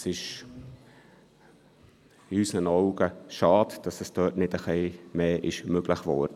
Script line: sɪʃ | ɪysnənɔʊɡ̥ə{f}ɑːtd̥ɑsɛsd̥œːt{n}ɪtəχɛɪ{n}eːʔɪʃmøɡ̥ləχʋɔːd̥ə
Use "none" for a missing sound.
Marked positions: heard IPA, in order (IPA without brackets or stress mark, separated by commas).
ʃ, n, m